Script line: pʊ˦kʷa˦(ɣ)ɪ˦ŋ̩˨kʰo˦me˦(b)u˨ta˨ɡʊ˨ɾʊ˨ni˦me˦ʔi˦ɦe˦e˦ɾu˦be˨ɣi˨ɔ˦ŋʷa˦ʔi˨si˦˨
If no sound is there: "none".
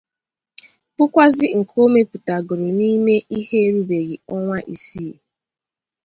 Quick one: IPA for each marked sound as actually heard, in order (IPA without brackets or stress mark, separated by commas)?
z, p